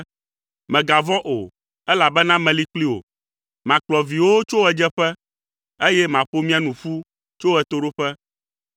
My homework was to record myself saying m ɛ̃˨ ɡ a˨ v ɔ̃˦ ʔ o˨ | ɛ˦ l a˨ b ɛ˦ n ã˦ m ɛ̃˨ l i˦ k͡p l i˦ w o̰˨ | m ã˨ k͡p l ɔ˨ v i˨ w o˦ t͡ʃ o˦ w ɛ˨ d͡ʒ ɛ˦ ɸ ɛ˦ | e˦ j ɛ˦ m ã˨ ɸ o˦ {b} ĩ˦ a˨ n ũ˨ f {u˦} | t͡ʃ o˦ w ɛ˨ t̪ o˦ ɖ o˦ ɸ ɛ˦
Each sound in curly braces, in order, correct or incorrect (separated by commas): incorrect, correct